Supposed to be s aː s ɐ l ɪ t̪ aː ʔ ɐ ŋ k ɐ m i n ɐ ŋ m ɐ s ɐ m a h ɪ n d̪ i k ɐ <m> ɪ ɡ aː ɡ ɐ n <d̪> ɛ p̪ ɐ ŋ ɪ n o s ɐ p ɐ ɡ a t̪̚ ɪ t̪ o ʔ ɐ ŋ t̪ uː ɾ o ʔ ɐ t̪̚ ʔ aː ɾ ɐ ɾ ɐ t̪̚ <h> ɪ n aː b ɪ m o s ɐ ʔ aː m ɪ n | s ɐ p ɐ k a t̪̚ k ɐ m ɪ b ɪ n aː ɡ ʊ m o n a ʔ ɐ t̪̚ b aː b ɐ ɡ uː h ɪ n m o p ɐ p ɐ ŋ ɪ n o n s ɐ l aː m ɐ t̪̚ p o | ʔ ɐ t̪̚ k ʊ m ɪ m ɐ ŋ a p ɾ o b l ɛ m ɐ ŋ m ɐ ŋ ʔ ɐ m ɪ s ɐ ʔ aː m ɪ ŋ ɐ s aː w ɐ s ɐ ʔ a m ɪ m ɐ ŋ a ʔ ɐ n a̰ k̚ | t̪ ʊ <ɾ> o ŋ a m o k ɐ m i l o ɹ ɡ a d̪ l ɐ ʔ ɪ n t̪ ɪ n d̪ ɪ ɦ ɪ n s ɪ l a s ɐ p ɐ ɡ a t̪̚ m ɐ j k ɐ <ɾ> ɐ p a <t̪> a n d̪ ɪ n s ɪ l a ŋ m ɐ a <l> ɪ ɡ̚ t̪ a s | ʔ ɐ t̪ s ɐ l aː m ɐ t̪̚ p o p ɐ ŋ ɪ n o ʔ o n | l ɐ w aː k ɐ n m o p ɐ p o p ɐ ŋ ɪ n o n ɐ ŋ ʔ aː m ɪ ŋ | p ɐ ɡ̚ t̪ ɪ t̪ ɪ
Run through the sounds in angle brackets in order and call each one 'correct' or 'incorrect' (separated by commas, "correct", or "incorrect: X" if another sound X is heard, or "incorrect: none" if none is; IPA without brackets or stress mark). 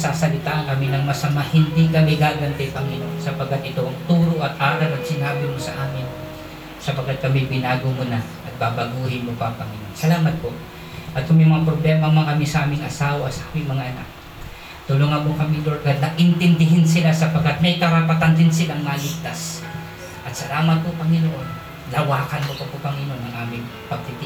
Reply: correct, incorrect: t̪, incorrect: s, incorrect: l, correct, correct, correct